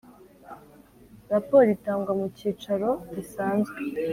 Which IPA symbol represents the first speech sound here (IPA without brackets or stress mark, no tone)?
ɾ